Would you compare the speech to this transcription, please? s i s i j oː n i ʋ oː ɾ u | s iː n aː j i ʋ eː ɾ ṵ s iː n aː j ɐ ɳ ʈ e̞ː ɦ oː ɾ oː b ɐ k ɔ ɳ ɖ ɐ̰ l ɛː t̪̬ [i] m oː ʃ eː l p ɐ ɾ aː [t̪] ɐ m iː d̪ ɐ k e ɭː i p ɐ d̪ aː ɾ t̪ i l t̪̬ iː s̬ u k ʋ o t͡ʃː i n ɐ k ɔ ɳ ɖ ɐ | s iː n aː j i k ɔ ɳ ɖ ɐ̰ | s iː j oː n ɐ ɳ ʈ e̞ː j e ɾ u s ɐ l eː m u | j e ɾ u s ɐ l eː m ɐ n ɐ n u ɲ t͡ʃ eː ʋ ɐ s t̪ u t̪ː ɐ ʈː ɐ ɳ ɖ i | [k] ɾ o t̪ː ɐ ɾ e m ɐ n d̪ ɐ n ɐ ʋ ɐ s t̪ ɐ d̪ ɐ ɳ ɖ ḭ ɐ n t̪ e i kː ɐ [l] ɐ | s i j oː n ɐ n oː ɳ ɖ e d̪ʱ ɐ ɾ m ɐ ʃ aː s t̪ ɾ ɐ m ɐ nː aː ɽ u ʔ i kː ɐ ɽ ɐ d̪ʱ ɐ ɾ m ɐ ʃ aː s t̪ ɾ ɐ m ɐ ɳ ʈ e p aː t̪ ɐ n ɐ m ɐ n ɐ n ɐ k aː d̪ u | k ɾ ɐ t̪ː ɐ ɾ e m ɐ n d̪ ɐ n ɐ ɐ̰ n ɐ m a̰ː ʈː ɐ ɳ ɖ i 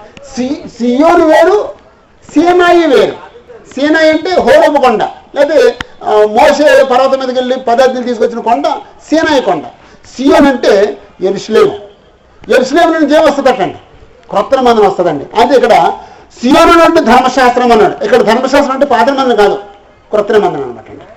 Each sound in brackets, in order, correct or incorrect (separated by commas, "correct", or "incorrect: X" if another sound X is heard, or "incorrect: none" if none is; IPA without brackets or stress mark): incorrect: e, correct, correct, incorrect: ɽ